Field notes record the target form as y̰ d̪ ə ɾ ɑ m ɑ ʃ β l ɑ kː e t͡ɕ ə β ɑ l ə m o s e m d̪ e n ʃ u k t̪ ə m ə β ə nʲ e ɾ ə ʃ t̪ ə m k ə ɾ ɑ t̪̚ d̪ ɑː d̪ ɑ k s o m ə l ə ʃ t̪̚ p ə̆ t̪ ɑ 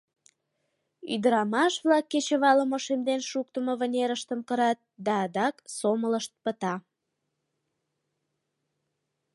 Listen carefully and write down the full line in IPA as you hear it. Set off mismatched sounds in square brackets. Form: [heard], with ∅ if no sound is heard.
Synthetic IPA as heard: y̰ d̪ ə ɾ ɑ m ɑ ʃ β l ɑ kː e t͡ɕ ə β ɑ l ə m o [ʃ] e m d̪ e n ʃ u k t̪ ə m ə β ə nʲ e ɾ ə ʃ t̪ ə m k ə ɾ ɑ t̪̚ d̪ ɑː d̪ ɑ k s o m ə l ə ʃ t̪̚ p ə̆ t̪ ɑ

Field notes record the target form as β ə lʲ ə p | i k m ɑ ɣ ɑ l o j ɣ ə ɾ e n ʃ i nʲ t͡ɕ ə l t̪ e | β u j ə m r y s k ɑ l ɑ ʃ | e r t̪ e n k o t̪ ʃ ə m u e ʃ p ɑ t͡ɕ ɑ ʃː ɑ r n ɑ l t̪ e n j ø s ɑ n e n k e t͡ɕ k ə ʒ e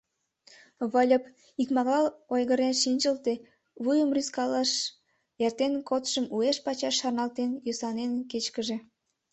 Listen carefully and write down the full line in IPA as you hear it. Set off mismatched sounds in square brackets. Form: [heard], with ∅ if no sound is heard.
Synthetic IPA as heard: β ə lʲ ə p | i k m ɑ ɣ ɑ l o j ɣ ə ɾ e n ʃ i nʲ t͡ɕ ə l t̪ e | β u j ə m r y s k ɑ l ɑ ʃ | e r t̪ e n k o t̪ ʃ ə m u e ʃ p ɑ t͡ɕ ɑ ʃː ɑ r n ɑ l t̪ e n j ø s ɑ n e n k e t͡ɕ k ə ʒ e

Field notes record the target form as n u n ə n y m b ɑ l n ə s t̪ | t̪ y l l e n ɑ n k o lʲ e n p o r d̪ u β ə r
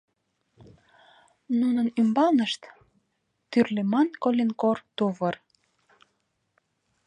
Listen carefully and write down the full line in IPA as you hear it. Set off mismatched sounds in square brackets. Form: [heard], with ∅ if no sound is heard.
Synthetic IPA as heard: n u n ə n y m b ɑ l n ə [ʃ] t̪ | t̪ y [r] l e [m] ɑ n k o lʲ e n [k] o r [t̪] u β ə r

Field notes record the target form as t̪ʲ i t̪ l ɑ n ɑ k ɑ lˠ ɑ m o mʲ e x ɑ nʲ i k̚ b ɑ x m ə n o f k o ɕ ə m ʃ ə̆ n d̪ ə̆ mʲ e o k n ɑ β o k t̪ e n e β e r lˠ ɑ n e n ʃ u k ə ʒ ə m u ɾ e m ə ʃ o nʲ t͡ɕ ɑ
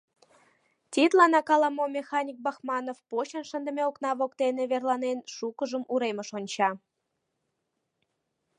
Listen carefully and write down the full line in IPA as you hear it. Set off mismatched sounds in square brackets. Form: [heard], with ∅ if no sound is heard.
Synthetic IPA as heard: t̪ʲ i t̪ l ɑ n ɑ k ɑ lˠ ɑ m o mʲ e x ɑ nʲ i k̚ b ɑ x m [ɑ] n o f [p] o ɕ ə [n] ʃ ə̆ n d̪ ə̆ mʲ e o k n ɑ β o k t̪ e n e β e r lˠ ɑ n e n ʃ u k ə ʒ ə m u ɾ e m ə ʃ o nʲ t͡ɕ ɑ

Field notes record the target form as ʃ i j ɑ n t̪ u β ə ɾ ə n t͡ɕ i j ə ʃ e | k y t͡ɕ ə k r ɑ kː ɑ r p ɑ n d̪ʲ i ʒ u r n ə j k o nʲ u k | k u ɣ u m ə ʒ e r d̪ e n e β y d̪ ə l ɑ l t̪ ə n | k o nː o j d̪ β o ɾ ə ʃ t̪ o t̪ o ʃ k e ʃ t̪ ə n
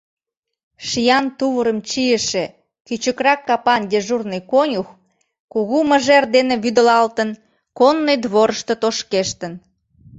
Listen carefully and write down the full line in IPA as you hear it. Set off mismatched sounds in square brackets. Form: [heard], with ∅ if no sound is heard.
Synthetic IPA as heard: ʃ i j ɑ n t̪ u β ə ɾ ə [m] t͡ɕ i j ə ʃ e | k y t͡ɕ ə k r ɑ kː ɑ [∅] p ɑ n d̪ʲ [e] ʒ u r n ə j k o nʲ u [x] | k u ɣ u m ə ʒ e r d̪ e n e β y d̪ ə l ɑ l t̪ ə n | k o nː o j d̪ β o ɾ ə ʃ t̪ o t̪ o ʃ k e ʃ t̪ ə n

